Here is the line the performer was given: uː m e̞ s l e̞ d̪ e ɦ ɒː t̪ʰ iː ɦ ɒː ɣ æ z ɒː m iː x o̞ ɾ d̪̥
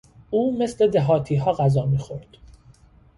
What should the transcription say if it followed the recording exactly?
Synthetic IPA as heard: uː m e̞ s l e̞ d̪ e ɦ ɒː t̪ʰ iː ɦ ɒː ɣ æ z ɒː m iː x o̞ ɾ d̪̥